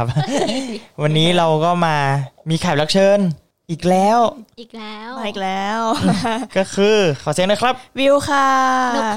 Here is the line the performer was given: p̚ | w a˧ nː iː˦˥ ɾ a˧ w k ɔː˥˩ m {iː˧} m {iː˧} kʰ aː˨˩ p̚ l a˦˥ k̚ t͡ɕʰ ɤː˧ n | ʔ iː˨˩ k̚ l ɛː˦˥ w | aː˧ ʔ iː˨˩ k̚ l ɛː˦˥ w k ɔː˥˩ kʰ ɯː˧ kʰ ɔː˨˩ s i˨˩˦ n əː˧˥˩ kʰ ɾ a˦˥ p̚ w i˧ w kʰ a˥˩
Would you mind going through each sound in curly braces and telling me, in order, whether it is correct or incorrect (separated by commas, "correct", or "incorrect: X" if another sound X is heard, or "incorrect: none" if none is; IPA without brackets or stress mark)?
incorrect: aː˧, correct